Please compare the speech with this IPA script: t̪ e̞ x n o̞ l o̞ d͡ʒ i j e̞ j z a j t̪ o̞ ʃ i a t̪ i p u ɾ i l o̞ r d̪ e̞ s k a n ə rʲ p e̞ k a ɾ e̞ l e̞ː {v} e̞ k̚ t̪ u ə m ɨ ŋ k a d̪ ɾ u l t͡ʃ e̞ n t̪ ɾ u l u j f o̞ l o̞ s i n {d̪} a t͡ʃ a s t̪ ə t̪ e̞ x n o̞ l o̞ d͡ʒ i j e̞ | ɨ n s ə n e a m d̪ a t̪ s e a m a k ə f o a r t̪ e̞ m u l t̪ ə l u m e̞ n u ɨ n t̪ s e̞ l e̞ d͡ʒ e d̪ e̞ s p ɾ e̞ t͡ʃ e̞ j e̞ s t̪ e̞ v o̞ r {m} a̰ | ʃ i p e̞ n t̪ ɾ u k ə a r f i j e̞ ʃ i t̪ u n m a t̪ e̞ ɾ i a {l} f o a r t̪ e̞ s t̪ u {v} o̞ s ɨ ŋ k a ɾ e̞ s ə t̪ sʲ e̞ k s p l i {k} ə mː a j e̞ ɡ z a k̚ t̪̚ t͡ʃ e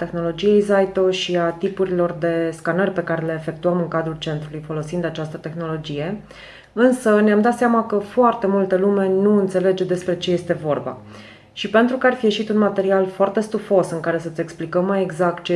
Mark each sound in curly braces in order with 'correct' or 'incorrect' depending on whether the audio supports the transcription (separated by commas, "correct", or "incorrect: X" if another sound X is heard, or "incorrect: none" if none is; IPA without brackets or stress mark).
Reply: incorrect: f, correct, incorrect: b, correct, incorrect: f, correct